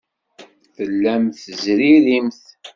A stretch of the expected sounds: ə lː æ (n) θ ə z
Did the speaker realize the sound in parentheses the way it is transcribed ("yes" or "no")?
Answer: no